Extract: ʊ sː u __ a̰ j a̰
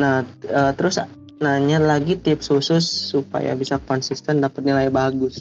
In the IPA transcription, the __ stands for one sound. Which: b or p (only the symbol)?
p